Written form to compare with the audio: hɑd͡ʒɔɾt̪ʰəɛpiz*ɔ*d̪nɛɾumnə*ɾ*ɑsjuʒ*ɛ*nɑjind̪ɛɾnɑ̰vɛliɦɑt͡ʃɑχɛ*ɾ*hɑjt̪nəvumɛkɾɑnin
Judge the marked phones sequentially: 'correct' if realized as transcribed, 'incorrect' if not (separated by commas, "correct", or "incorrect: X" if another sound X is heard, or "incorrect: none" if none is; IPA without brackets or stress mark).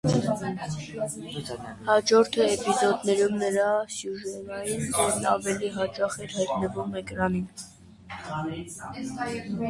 correct, correct, correct, correct